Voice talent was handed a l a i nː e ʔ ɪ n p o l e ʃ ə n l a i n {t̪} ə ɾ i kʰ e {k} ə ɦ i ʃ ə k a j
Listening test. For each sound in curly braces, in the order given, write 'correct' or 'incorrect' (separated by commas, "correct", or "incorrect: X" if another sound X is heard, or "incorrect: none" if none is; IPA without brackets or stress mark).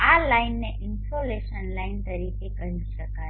correct, correct